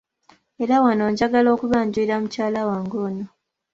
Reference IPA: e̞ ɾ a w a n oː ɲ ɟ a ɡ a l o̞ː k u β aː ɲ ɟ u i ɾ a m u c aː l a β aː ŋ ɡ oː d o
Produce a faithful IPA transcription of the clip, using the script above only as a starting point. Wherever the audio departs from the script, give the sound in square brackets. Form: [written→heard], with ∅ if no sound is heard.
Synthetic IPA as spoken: e̞ ɾ a w a n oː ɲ ɟ a ɡ a l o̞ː k u β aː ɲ ɟ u i ɾ a m u c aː l a [β→w] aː ŋ ɡ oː [d→n] o